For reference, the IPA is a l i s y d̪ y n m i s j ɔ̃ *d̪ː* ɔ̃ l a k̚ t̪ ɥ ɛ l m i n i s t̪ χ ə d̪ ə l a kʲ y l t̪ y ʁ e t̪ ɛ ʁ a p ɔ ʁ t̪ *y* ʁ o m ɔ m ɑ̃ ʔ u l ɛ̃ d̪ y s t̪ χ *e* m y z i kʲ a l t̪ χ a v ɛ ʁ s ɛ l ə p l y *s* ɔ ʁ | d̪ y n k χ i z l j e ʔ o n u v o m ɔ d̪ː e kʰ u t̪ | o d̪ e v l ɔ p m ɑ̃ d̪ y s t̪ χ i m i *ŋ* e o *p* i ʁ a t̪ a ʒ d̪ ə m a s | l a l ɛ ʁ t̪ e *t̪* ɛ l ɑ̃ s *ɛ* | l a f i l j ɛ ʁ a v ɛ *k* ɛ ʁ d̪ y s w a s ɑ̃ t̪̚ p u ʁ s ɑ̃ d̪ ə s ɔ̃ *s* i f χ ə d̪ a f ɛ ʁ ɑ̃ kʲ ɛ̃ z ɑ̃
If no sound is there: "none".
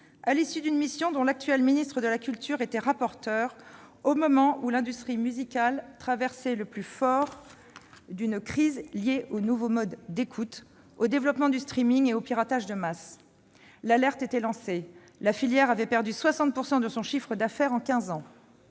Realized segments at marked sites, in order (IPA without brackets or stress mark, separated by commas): d̪, œ, i, f, ŋ, p, t̪, e, p, ʃ